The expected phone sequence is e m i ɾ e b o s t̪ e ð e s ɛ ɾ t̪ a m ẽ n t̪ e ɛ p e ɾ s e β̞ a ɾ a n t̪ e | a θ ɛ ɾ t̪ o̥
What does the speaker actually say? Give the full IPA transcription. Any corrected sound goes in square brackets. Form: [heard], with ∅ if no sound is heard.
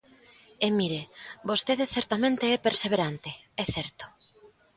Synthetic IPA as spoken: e m i ɾ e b o s t̪ e ð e [θ] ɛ ɾ t̪ a m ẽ n t̪ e ɛ p e ɾ s e β̞ [e] ɾ a n t̪ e | [ɛ] θ ɛ ɾ t̪ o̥